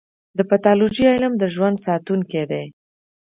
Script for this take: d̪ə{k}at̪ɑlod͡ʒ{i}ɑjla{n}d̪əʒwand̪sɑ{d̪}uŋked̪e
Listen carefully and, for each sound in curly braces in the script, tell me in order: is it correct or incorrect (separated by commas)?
incorrect, correct, incorrect, incorrect